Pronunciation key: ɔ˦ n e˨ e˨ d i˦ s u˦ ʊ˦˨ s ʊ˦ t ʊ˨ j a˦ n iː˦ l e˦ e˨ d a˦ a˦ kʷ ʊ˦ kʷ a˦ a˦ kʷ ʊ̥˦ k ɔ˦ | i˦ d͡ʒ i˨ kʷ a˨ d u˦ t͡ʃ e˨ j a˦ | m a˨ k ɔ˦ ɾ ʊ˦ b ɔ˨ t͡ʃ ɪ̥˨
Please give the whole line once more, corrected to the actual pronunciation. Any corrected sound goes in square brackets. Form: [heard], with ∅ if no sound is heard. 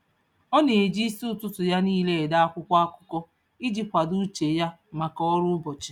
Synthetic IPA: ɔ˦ n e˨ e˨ [d͡ʒ] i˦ s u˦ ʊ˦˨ [t] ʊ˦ t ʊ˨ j a˦ n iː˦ l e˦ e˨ d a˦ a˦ kʷ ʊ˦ kʷ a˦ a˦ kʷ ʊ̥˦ k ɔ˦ | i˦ d͡ʒ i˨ kʷ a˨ d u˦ t͡ʃ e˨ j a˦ | m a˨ k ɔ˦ ɾ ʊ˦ b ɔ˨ t͡ʃ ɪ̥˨